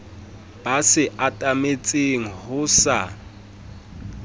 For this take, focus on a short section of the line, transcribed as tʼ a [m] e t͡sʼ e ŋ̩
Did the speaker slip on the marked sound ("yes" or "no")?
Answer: no